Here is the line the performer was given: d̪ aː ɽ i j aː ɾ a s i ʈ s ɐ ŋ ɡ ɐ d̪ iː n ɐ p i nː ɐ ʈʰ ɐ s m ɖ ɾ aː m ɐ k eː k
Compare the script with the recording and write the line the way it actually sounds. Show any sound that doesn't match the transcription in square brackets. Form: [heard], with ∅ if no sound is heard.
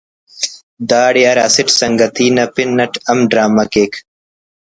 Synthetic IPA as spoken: d̪ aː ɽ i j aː ɾ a s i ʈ s ɐ ŋ ɡ ɐ [t̪] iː n ɐ p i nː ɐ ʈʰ ɐ [∅] m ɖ ɾ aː m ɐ k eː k